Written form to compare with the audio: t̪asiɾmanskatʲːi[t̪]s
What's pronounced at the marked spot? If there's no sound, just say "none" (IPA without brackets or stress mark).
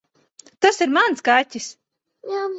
none